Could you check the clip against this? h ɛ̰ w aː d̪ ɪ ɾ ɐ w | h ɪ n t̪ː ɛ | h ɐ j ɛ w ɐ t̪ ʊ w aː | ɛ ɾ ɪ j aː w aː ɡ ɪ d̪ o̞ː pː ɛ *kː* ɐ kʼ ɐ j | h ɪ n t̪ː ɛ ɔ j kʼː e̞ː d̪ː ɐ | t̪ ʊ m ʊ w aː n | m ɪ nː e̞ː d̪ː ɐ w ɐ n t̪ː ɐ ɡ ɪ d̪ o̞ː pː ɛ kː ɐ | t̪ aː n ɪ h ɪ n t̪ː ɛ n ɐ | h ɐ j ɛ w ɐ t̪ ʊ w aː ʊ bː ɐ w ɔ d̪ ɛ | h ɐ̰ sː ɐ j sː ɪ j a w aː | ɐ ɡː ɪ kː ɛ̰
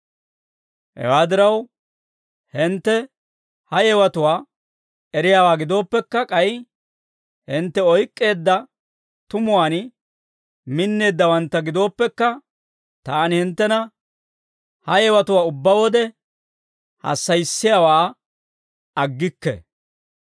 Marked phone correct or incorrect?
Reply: correct